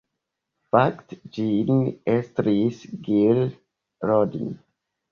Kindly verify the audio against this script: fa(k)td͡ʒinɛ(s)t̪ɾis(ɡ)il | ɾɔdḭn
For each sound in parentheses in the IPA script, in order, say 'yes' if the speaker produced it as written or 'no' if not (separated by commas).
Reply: yes, yes, yes